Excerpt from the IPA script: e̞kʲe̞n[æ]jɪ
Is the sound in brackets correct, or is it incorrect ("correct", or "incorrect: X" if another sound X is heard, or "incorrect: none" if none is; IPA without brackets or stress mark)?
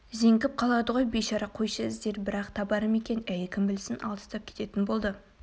correct